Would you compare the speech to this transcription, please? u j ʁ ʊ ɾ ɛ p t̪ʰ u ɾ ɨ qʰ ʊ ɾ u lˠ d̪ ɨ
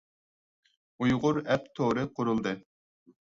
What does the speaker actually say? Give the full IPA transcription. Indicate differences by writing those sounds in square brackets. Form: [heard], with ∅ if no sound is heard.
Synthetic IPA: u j ʁ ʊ ɾ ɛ p t̪ʰ [o] ɾ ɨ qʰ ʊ ɾ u lˠ d̪ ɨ